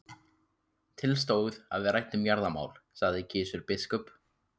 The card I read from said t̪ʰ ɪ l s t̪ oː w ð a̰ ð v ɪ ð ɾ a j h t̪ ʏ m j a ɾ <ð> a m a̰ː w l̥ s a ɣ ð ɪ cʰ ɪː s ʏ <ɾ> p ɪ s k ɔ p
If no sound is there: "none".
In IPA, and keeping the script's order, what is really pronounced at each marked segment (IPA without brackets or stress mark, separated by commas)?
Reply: ð, ɾ